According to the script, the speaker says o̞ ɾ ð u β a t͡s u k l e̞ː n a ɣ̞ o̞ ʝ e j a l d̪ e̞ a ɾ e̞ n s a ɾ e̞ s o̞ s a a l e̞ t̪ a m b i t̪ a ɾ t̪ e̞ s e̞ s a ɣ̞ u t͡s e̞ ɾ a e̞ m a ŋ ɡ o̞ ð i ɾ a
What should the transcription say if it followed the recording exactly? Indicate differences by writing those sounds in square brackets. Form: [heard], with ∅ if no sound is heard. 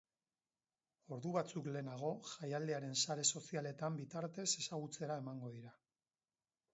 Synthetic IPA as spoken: o̞ ɾ ð u β a t͡s u k l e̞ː n a ɣ̞ o̞ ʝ [a] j a l d̪ e̞ a ɾ e̞ n s a ɾ e̞ s o̞ s [i] a l e̞ t̪ a m b i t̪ a ɾ t̪ e̞ s e̞ s a ɣ̞ u t͡s e̞ ɾ a e̞ m a ŋ ɡ o̞ ð i ɾ a